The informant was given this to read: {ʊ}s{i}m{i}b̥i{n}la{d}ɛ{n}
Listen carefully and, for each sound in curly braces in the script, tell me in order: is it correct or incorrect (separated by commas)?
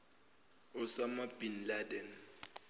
correct, incorrect, incorrect, correct, correct, correct